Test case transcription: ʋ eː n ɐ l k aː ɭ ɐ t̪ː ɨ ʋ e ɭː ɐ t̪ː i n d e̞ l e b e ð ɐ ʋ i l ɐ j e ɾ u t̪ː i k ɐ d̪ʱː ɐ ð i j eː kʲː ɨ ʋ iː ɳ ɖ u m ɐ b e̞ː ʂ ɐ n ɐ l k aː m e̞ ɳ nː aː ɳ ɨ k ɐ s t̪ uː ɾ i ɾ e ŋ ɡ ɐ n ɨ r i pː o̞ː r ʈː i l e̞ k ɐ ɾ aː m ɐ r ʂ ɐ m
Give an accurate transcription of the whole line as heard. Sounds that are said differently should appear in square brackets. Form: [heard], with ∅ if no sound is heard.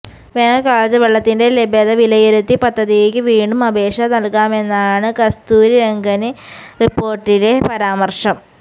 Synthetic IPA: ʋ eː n ɐ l k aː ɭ ɐ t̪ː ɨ ʋ e ɭː ɐ t̪ː i n d e̞ l e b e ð ɐ ʋ i l ɐ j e ɾ u t̪ː i [p] ɐ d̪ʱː ɐ ð i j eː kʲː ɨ ʋ iː ɳ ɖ u m ɐ b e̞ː ʂ ɐ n ɐ l k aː m e̞ [∅] nː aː ɳ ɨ k ɐ s t̪ uː ɾ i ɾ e ŋ ɡ ɐ n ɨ r i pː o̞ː r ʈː i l e̞ [p] ɐ ɾ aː m ɐ r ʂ ɐ m